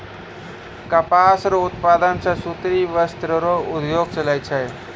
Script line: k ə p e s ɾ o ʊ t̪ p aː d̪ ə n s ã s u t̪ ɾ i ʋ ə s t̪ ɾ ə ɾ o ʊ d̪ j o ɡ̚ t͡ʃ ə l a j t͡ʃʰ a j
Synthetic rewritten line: k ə p a s ɾ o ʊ t̪ p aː d̪ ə n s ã s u t̪ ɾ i ʋ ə s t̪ ɾ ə ɾ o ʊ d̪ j o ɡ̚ t͡ʃ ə l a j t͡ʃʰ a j